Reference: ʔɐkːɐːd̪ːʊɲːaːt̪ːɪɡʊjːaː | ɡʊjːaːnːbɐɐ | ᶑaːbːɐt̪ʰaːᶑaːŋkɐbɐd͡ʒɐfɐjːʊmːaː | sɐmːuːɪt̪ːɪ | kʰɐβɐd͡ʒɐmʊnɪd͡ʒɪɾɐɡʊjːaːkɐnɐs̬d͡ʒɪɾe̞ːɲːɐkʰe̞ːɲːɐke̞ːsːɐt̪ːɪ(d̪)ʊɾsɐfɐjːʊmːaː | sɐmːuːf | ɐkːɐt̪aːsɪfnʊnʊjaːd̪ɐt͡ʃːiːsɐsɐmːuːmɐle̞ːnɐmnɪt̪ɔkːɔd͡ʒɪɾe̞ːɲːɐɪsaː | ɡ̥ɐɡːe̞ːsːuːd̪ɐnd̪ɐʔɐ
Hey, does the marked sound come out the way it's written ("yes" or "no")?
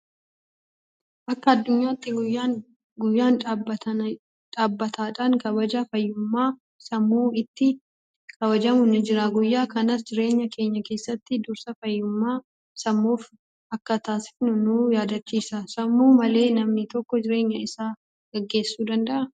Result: yes